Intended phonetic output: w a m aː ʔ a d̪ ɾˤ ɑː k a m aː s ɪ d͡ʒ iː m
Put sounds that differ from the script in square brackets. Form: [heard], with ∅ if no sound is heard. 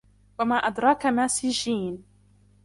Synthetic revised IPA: w a m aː ʔ a d̪ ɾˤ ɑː k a m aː s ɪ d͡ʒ iː [n]